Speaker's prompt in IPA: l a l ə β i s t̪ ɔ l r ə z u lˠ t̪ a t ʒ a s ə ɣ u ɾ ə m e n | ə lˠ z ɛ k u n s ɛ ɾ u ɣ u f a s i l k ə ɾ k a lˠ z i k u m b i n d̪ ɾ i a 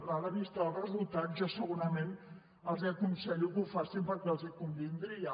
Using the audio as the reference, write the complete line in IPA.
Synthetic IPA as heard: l a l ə β i s t̪ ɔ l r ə z u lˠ t̪ a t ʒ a s ə ɣ u ɾ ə m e n | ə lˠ z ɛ k u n s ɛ ʎ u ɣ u f a s i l p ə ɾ k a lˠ z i k u m b i n d̪ ɾ i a